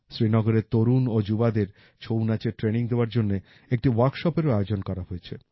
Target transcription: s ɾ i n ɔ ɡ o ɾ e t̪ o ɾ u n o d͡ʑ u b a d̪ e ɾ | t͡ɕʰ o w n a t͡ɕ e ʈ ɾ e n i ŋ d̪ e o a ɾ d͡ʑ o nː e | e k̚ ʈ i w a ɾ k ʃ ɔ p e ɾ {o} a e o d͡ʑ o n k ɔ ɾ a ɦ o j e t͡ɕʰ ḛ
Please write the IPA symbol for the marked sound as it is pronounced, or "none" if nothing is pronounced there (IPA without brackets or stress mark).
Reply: o